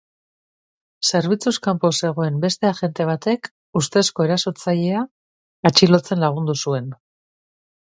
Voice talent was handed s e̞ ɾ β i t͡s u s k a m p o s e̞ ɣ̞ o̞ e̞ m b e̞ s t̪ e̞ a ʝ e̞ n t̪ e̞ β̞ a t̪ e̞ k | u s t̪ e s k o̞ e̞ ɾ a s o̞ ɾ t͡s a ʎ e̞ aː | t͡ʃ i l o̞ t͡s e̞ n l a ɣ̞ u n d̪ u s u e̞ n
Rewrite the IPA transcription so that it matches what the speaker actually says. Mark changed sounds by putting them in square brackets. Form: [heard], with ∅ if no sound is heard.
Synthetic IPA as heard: s e̞ ɾ β i t͡s u s k a m p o s e̞ ɣ̞ o̞ e̞ m b e̞ s t̪ e̞ a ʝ e̞ n t̪ e̞ β̞ a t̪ e̞ k | u s t̪ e s k o̞ e̞ ɾ a s o̞ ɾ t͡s a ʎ e̞ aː | t͡ʃ i l o̞ t͡s e̞ n l a ɣ̞ u n d̪ u s u e̞ n